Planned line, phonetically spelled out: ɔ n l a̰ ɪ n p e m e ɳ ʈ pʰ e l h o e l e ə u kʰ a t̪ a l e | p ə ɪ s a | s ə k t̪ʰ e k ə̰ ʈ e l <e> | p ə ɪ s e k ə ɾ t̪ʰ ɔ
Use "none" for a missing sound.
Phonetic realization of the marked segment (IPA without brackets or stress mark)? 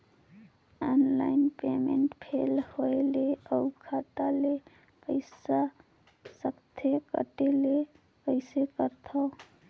e